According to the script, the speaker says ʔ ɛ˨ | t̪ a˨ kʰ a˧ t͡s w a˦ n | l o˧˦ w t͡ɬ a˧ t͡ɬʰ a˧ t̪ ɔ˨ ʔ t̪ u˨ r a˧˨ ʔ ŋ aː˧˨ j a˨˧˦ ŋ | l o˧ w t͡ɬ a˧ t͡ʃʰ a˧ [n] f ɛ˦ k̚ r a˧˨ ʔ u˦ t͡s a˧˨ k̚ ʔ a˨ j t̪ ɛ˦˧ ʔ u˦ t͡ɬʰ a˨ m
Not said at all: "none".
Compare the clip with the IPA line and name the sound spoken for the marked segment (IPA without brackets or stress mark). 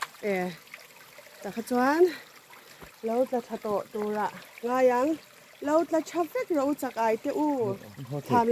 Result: none